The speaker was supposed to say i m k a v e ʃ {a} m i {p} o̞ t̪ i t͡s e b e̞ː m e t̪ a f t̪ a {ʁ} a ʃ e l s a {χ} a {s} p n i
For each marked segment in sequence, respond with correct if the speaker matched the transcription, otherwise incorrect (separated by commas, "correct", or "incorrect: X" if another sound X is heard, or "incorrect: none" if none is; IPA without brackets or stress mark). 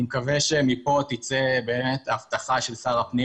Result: incorrect: e, correct, incorrect: χ, incorrect: ʁ, incorrect: none